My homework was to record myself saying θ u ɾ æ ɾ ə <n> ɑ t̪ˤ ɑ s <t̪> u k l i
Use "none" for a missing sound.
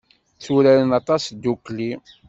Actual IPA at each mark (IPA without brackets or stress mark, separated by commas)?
n, d̪